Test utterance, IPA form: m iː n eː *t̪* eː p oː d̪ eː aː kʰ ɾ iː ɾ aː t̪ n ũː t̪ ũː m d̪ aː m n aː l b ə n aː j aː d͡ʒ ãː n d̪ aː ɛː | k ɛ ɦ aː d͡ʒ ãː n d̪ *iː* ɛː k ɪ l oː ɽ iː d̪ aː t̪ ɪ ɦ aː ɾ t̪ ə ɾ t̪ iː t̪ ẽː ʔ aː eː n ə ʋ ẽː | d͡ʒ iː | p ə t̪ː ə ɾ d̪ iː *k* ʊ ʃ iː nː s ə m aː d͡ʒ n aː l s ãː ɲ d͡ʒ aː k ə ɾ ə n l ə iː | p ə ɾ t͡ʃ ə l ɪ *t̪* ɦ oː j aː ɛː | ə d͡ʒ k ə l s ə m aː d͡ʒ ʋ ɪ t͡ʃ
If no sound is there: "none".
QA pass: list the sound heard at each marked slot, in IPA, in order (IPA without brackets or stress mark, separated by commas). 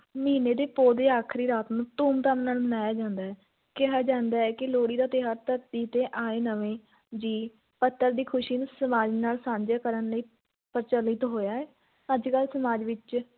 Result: d̪, aː, kʰ, t̪